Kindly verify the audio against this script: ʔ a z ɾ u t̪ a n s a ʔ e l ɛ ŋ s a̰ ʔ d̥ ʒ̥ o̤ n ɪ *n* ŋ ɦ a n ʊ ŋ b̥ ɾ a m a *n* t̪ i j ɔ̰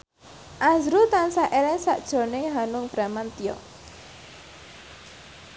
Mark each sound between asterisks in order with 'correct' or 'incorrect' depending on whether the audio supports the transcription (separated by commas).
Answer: incorrect, correct